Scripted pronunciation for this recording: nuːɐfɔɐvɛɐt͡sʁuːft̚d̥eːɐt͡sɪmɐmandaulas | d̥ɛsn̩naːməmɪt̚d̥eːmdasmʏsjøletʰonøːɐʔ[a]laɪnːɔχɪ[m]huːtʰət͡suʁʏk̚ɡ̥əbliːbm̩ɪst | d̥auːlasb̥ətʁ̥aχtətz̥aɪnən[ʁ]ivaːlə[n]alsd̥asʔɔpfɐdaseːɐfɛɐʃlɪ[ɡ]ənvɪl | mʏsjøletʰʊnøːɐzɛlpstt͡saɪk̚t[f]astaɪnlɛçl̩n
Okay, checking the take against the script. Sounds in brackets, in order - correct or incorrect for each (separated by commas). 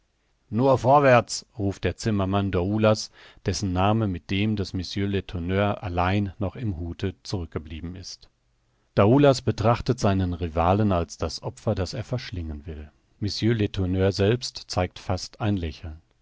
correct, correct, correct, correct, incorrect, correct